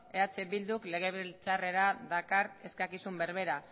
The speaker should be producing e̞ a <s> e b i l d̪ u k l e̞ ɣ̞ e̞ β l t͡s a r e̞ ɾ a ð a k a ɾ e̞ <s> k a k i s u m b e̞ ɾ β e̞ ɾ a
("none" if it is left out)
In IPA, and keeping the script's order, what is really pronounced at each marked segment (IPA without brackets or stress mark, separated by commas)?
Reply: t͡s, s